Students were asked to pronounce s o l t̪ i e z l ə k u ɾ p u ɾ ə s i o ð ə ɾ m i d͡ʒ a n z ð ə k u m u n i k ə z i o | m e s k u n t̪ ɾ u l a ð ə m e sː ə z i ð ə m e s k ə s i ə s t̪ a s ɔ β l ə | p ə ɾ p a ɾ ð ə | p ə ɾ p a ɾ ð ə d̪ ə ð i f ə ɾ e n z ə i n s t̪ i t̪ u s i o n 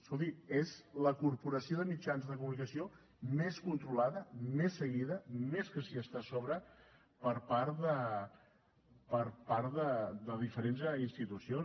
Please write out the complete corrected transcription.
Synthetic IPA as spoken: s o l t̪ i e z l ə k u ɾ p u ɾ ə s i o ð ə m i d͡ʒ a n z ð ə k u m u n i k ə s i o | m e s k u n t̪ ɾ u l a ð ə m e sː ə ɣ i ð ə m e s k ə s i ə s t̪ a s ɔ β ɾ ə | p ə ɾ p a ɾ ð ə | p ə ɾ p a ɾ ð ə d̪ ə ð i f ə ɾ e n z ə i n s t̪ i t̪ u s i o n